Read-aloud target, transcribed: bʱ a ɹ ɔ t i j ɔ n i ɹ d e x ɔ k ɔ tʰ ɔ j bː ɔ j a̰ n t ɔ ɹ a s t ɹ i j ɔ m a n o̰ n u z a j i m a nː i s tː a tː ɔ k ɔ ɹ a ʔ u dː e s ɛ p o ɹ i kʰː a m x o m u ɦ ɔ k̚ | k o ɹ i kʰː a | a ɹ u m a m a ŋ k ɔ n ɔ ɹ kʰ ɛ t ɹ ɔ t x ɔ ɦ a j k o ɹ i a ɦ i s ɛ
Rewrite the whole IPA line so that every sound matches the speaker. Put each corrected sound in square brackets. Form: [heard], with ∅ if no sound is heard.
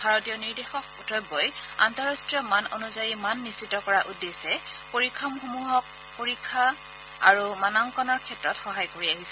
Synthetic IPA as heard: bʱ a ɹ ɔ t i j ɔ n i ɹ d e x ɔ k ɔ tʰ ɔ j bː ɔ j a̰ n t ɔ ɹ a s t ɹ i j ɔ m a n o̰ n u z a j i m a nː i s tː [i] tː ɔ k ɔ ɹ a ʔ u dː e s ɛ p o ɹ i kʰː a m x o m u ɦ ɔ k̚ | [p] o ɹ i kʰː a | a ɹ u m a [n] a ŋ k ɔ n ɔ ɹ kʰ ɛ t ɹ ɔ t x ɔ ɦ a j k o ɹ i a ɦ i s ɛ